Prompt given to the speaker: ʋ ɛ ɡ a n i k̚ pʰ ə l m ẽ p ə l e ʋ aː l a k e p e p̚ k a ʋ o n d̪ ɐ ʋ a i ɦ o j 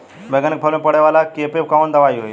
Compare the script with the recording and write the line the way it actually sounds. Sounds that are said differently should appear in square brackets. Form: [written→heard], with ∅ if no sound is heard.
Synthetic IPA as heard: ʋ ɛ ɡ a n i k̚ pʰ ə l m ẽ p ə [l→ɽ] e ʋ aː l a k e p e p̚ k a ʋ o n d̪ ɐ ʋ a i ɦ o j